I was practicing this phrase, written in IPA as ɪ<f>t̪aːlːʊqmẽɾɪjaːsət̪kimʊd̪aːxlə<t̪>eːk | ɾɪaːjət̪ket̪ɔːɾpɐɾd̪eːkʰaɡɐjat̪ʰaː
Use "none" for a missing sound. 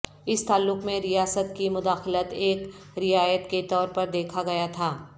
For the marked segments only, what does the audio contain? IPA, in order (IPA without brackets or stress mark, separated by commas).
s, t̪